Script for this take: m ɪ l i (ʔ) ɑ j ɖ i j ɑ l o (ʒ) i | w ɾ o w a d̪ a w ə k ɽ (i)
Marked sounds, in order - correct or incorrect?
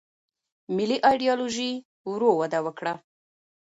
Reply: correct, correct, incorrect: a

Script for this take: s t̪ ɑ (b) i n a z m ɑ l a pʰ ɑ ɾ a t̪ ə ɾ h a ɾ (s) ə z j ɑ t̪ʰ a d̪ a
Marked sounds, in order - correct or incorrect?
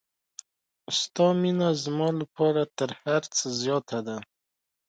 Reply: incorrect: m, incorrect: t͡s

